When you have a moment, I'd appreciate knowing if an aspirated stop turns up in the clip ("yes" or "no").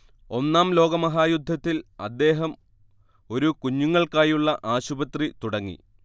no